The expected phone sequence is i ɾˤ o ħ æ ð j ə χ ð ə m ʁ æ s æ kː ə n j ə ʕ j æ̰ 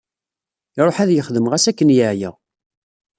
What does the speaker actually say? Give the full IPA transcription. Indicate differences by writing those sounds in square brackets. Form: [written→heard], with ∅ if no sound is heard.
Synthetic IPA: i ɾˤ o ħ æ ð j ə χ ð ə m ʁ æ s æ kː ə n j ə ʕ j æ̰